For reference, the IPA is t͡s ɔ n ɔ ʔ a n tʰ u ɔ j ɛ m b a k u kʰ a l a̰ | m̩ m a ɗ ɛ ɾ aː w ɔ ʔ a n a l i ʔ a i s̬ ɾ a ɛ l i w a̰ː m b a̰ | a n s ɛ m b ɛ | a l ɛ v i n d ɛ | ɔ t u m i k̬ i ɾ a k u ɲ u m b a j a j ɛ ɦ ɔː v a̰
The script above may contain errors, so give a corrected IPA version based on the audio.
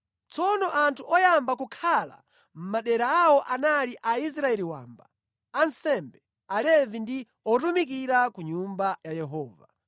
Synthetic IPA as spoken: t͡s ɔ n ɔ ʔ a n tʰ u ɔ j a m b a k u kʰ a l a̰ | m̩ m a ɗ ɛ ɾ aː w ɔ ʔ a n a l i ʔ a i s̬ ɾ a ɛ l i w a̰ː m b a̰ | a n s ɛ m b ɛ | a l ɛ v i n d i | ɔ t u m i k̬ i ɾ a k u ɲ u m b a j a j ɛ ɦ ɔː v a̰